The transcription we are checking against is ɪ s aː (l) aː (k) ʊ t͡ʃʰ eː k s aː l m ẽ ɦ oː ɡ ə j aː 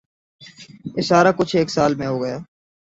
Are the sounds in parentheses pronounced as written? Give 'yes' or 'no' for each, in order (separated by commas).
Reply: no, yes